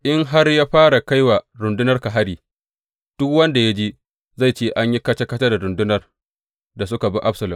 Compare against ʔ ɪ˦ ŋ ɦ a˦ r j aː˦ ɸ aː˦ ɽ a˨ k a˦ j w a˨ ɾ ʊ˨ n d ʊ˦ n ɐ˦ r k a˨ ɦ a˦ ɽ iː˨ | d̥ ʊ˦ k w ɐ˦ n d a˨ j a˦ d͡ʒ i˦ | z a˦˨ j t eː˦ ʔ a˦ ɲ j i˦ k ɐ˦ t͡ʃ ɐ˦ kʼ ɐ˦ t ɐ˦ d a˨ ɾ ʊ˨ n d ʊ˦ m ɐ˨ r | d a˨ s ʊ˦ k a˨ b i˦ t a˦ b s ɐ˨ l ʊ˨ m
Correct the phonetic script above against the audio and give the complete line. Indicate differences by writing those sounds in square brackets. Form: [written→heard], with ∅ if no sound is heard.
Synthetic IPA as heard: ʔ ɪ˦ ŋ ɦ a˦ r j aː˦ ɸ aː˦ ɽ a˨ k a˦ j w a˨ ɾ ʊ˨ n d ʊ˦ n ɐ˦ r k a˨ ɦ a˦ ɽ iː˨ | d̥ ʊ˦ k w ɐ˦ n d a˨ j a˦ d͡ʒ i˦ | z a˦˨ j [t→t͡ʃ] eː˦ ʔ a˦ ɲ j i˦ k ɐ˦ t͡ʃ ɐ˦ [kʼ→k] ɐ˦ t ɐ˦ d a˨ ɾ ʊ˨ n d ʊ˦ [m→n] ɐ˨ r | d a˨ s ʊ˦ k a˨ b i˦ [t→ʔ] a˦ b s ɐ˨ l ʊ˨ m